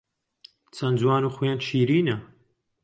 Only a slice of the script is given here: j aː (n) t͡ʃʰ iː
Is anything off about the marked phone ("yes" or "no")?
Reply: no